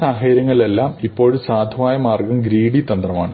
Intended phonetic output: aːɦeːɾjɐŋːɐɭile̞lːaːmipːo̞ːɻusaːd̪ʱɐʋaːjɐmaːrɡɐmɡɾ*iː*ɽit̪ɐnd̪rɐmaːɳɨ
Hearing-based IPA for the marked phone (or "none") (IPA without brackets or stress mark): iː